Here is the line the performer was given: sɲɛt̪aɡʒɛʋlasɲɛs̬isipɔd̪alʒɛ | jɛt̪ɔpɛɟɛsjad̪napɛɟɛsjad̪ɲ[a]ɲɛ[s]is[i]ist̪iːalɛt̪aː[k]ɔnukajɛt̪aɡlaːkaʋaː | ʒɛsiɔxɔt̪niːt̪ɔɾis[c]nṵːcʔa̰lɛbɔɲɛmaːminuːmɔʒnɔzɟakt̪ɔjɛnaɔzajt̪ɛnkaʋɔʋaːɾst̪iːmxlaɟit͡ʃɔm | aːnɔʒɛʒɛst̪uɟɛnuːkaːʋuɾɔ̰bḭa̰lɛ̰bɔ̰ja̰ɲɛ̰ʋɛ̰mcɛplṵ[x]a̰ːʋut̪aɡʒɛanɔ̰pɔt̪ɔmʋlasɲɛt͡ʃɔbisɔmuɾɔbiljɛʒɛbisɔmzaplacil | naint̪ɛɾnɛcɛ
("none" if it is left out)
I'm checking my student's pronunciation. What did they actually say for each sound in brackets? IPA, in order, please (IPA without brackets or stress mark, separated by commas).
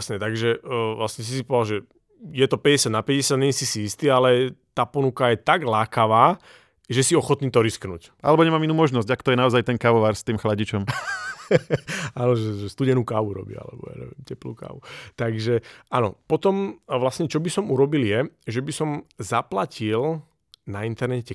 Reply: ɛ, s, i, p, k, k